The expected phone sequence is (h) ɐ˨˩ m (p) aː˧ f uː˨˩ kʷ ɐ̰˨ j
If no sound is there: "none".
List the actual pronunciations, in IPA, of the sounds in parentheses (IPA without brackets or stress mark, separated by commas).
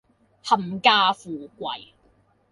h, k